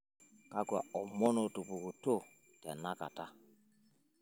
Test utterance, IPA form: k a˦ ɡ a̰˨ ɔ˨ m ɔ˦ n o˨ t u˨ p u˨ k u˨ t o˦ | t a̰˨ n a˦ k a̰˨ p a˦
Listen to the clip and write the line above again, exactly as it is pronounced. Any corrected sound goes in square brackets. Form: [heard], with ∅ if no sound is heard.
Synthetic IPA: k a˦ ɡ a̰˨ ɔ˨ m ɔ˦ n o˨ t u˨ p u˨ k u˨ t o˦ | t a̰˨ n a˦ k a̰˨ [t] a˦